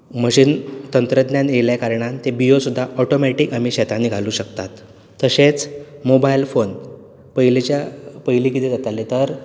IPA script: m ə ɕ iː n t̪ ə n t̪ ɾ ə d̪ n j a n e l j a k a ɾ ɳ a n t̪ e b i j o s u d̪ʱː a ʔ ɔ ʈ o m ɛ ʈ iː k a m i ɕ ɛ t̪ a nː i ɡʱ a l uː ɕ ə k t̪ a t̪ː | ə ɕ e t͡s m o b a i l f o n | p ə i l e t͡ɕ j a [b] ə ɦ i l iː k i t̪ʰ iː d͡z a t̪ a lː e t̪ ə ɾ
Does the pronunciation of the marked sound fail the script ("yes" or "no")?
yes